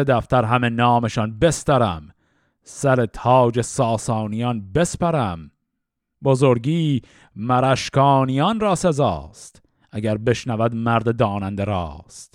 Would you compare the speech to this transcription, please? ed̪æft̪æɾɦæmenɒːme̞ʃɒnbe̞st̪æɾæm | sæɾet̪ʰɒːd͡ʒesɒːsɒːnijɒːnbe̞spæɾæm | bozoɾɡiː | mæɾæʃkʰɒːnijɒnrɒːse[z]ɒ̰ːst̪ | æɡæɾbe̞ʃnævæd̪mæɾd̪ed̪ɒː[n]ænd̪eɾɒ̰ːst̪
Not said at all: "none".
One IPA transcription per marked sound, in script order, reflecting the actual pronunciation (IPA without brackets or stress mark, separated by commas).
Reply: z, n